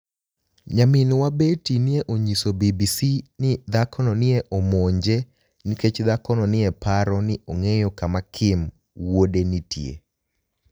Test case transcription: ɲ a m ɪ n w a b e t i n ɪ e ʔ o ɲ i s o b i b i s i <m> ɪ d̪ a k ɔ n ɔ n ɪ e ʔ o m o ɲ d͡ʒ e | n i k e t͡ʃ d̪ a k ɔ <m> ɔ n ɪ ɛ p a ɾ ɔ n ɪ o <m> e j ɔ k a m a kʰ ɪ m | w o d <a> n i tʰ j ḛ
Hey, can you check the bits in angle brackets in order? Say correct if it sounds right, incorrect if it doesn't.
incorrect, incorrect, incorrect, incorrect

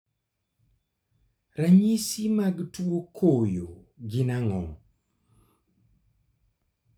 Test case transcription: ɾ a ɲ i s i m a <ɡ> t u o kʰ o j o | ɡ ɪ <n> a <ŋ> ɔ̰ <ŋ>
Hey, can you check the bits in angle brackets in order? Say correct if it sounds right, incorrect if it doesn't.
correct, correct, correct, correct

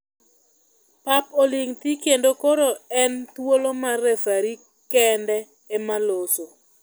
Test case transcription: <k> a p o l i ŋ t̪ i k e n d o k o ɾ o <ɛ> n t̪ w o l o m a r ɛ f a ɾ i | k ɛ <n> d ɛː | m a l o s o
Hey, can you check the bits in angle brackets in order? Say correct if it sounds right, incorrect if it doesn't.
incorrect, correct, correct

